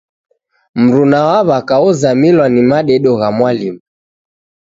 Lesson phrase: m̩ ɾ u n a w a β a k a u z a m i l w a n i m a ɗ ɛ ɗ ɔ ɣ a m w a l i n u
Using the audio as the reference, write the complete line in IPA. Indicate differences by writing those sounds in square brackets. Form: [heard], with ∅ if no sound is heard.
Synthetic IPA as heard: m̩ ɾ u n a w a β a k a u z a m i l w a n i m a ɗ ɛ ɗ ɔ ɣ a m w a l i [m] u